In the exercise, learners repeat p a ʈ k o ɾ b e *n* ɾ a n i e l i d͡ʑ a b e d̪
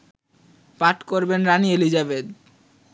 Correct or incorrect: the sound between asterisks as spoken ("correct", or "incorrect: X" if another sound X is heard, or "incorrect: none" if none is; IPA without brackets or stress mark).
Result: correct